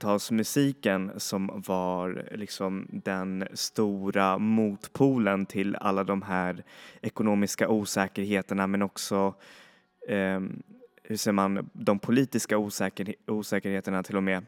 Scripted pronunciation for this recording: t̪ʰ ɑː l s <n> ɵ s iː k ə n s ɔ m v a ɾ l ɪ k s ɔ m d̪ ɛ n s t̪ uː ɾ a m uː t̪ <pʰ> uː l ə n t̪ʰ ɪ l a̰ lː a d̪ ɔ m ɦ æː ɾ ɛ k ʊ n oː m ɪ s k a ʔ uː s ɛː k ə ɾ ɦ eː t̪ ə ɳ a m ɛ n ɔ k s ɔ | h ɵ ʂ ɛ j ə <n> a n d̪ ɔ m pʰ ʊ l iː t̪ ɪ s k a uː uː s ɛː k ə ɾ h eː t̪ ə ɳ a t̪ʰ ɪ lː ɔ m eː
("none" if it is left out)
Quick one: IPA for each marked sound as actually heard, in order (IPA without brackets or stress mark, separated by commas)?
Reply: m, pʰ, m